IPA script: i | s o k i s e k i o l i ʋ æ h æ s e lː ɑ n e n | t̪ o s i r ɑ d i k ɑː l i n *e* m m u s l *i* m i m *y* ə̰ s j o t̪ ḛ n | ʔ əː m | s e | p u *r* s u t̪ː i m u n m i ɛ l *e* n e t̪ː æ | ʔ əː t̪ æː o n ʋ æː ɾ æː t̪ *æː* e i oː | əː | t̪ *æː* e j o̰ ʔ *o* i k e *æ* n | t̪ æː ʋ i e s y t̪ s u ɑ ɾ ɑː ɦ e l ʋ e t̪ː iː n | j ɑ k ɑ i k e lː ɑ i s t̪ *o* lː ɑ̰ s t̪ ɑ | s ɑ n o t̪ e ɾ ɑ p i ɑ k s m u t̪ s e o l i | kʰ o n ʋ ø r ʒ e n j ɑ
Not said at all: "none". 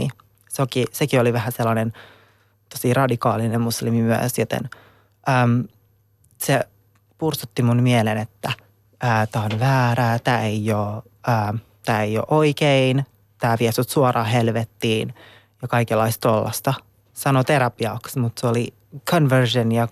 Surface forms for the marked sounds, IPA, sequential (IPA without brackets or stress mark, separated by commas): e, i, y, r, e, æː, æː, o, i, o